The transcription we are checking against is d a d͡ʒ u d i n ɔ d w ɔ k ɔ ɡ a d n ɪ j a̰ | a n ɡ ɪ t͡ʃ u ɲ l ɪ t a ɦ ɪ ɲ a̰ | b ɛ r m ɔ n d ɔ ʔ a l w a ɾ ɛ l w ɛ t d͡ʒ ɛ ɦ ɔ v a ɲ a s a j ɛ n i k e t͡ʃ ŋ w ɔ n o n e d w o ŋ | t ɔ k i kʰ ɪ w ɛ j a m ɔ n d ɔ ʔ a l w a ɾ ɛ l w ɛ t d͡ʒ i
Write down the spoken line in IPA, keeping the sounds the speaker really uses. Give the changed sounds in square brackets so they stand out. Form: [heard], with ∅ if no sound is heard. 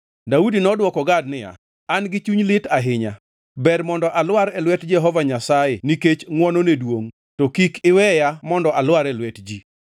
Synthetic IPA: d a [∅] u d i n ɔ d w ɔ k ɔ ɡ a d n ɪ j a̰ | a n ɡ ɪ t͡ʃ u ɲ l ɪ t a ɦ ɪ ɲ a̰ | b ɛ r m ɔ n d ɔ ʔ a l w a ɾ ɛ l w ɛ t d͡ʒ ɛ ɦ ɔ v a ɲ a s a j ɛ n i k e t͡ʃ ŋ w ɔ n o n e d w o ŋ | t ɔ k i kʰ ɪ w ɛ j a m ɔ n d ɔ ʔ a l w a ɾ ɛ l w ɛ t d͡ʒ i

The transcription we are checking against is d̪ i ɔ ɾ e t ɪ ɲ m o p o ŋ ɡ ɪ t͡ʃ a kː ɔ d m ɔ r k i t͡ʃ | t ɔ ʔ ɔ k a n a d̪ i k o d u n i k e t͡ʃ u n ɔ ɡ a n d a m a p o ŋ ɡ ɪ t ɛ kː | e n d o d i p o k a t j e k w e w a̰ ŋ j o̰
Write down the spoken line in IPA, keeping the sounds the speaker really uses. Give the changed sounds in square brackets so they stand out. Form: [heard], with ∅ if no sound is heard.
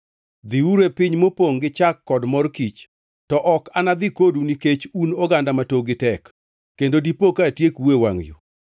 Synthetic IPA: d̪ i [u] ɾ e [p] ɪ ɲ m o p o ŋ ɡ ɪ t͡ʃ a kː ɔ d m ɔ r k i t͡ʃ | t ɔ ʔ ɔ k a n a d̪ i k o d u n i k e t͡ʃ u n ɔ ɡ a n d a m a [t] o [∅] ɡ ɪ t ɛ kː | e n d o d i p o k a t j e k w e w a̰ ŋ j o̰

